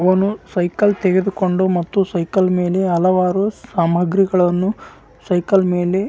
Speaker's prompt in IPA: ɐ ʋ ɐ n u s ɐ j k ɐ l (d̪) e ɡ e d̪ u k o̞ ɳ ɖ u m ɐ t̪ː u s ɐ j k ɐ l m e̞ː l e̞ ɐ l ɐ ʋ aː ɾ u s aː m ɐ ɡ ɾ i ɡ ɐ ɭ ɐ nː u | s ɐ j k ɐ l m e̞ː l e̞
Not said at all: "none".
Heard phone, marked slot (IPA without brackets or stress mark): t̪